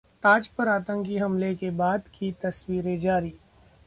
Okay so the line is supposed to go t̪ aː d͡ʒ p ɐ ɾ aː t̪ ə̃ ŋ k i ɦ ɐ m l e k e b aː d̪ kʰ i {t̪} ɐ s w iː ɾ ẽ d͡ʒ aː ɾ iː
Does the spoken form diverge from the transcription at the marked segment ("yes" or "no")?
no